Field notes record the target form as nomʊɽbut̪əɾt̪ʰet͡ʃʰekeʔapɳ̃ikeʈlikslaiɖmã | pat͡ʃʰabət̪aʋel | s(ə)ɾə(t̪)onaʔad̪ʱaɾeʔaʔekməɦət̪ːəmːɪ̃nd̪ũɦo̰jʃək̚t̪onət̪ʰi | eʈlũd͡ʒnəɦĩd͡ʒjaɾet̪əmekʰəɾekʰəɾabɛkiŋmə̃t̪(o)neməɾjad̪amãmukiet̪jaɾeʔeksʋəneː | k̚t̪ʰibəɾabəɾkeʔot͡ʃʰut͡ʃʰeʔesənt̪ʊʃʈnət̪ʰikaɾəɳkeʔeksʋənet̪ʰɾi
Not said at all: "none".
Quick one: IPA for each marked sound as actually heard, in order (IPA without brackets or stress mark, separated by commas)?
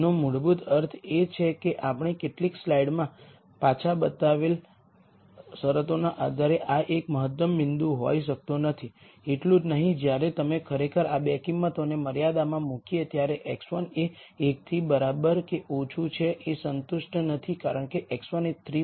ə, t̪, o